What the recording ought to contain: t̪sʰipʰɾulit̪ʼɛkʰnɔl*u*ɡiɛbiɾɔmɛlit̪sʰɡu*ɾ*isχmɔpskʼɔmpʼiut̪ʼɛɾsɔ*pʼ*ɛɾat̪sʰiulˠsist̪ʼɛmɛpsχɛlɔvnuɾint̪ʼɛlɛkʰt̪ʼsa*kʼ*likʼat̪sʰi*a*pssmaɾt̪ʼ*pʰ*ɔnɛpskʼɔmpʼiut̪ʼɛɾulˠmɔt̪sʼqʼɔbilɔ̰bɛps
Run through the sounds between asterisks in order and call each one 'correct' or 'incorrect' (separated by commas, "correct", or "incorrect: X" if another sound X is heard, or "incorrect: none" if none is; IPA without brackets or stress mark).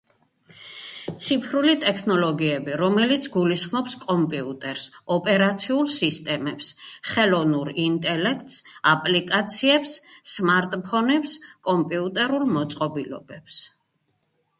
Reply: incorrect: ɔ, incorrect: l, correct, incorrect: pʼ, incorrect: ɛ, correct